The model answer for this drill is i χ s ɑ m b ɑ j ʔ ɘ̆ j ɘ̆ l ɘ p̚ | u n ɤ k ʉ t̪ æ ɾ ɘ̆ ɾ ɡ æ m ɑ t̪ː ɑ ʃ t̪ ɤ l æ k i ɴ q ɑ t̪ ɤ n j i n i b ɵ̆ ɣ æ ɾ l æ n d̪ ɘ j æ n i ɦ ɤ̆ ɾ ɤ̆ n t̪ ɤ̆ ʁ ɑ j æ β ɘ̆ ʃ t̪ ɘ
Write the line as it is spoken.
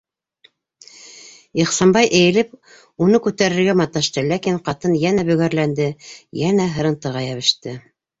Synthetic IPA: i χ s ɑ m b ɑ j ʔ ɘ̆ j ɘ̆ l ɘ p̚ | u n ɤ k ʉ t̪ æ ɾ ɘ̆ ɾ ɡ æ m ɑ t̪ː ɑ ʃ t̪ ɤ l æ k i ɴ q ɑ t̪ ɤ n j æ n æ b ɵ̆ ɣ æ ɾ l æ n d̪ ɘ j æ n æ ɦ ɤ̆ ɾ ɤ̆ n t̪ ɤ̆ ʁ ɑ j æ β ɘ̆ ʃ t̪ ɘ